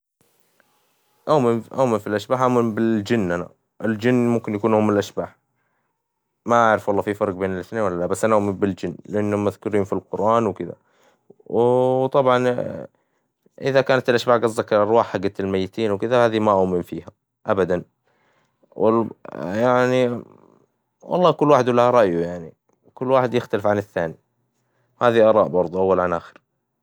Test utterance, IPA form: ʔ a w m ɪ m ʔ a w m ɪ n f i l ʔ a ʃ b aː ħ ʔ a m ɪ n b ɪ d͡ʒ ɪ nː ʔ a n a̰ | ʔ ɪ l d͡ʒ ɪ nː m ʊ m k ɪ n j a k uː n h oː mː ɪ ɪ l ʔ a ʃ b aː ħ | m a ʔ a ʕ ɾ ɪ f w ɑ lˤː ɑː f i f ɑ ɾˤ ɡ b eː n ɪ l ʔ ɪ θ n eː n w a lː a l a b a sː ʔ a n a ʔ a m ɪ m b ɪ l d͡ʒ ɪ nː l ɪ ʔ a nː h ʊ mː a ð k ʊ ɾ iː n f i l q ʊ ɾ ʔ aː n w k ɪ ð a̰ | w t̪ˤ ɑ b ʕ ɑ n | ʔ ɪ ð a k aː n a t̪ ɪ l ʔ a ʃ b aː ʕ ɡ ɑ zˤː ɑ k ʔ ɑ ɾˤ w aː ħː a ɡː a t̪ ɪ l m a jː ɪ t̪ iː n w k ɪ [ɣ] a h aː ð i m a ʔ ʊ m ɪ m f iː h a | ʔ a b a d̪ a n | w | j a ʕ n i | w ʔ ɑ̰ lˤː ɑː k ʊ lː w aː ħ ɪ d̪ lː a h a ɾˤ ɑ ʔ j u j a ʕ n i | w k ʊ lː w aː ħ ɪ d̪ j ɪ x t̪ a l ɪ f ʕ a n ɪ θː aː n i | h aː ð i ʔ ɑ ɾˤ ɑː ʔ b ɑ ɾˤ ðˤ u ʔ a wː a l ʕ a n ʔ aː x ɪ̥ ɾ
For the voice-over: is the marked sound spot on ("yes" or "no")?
no